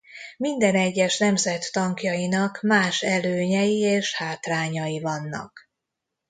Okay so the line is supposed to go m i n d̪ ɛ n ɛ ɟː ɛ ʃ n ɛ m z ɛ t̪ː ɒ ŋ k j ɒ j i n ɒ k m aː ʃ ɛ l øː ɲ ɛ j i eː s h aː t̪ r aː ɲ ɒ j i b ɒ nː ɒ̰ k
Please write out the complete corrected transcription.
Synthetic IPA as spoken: m i n d̪ ɛ n ɛ ɟː ɛ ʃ n ɛ m z ɛ t̪ː ɒ ŋ k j ɒ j i n ɒ k m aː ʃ ɛ l øː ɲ ɛ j i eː ʃ h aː t̪ r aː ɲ ɒ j i v ɒ nː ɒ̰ k